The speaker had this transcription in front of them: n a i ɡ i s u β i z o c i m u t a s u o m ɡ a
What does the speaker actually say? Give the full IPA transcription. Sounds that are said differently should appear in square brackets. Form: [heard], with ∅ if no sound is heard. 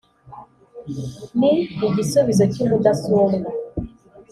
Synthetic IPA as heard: n [i] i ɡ i s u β i z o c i m u [d] a s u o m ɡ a